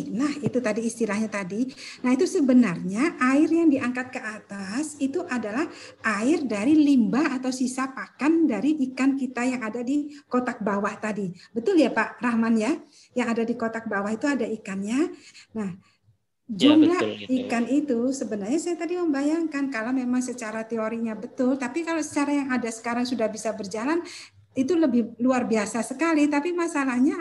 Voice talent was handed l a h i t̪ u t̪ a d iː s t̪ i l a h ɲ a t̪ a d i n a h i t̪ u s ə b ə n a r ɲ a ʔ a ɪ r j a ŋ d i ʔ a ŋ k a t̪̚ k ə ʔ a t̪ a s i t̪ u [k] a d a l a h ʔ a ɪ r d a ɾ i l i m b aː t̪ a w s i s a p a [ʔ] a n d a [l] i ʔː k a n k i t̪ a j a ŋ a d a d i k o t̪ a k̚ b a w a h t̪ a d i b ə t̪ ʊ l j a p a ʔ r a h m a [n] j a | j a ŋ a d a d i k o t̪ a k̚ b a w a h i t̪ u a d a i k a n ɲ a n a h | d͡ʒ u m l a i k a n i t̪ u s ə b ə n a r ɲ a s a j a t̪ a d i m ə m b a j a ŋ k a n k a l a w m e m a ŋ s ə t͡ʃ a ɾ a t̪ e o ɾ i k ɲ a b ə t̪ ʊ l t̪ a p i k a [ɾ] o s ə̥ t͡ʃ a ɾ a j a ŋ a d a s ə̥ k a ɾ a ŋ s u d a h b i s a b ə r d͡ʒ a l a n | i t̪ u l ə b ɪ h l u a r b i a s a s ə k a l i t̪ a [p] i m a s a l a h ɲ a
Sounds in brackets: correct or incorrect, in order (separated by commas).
incorrect, incorrect, incorrect, correct, incorrect, correct